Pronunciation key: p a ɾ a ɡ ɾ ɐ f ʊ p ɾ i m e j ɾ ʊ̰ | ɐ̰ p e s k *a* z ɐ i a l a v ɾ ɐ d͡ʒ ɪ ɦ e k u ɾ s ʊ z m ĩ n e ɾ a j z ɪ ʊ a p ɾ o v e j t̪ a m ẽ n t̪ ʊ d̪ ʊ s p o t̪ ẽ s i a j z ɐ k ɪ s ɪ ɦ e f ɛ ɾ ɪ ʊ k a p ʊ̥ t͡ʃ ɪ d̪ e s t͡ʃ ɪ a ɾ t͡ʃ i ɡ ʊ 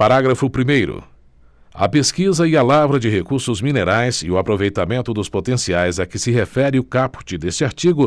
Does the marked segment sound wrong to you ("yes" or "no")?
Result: yes